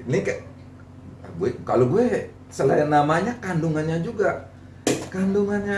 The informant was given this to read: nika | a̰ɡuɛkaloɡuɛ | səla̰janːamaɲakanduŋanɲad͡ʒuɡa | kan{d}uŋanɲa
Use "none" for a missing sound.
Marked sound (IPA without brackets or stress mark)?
d